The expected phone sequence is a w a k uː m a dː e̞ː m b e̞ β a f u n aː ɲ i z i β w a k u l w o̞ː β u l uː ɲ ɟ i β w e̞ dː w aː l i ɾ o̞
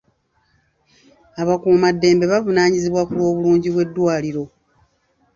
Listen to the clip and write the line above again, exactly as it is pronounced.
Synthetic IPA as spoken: a β a k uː m a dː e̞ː m b e̞ β a v u n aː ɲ i z i β w a k u l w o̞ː β u l uː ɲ ɟ i β w e̞ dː w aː l i ɾ o̞